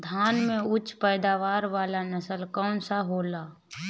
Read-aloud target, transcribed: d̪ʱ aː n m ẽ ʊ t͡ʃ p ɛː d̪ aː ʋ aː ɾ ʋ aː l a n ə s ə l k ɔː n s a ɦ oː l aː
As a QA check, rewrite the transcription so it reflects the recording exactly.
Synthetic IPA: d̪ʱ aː n m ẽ ʊ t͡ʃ p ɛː d̪ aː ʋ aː ɾ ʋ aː l a n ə s ə l k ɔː n s a ɦ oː l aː